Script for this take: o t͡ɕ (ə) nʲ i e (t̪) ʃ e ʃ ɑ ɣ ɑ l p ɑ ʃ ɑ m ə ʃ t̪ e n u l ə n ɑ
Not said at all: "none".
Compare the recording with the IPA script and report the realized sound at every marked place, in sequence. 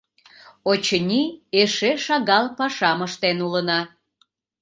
ə, none

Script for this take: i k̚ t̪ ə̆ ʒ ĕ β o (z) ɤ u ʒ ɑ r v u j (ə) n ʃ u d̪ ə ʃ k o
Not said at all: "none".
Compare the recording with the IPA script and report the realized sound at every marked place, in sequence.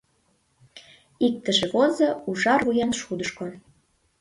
z, ɑ

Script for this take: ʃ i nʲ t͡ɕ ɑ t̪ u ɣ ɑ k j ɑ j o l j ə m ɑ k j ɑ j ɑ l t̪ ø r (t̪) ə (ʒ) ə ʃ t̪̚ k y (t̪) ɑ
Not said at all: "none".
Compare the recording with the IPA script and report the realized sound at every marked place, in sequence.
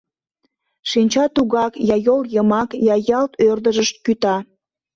d̪, ʒ, t̪

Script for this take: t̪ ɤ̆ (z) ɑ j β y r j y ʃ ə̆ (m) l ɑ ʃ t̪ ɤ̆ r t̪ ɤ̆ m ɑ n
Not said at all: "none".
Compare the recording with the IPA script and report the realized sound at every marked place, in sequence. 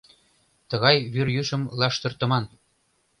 ɣ, m

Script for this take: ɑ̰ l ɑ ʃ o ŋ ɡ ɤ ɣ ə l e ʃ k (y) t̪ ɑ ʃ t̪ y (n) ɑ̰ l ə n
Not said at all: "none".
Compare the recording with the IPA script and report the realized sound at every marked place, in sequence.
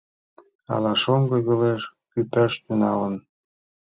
y, n

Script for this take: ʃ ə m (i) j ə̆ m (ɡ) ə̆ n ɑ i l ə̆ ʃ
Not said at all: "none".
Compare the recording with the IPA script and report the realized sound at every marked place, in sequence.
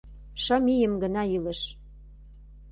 i, ɡ

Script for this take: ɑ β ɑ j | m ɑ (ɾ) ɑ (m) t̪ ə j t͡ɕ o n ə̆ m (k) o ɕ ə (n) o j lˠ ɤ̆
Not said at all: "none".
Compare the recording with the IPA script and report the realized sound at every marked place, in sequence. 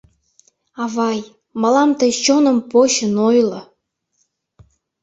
l, m, p, n

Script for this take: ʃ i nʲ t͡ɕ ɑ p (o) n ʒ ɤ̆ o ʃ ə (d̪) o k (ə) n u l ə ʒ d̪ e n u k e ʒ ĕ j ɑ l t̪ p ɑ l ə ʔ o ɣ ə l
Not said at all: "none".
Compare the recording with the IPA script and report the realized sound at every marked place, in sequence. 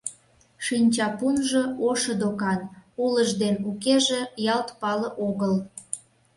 u, d̪, ɑ

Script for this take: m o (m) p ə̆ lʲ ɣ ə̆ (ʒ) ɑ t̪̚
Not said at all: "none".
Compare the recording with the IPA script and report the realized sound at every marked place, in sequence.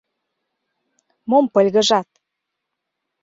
m, ʒ

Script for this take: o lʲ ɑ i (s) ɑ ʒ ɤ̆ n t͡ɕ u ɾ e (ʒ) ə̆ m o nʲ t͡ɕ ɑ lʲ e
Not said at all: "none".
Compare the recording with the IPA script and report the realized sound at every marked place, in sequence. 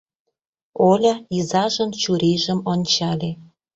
z, ʒ

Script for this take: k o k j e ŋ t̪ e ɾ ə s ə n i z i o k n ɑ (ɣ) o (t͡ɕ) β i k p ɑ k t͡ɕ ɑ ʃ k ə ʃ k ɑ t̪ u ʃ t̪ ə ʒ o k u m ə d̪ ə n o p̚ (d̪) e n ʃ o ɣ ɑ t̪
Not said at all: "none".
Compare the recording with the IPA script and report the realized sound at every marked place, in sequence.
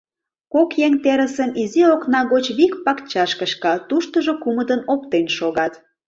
ɣ, t͡ɕ, t̪

